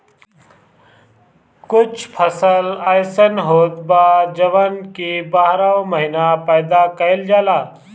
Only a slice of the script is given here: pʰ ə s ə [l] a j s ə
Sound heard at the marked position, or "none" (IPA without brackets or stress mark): l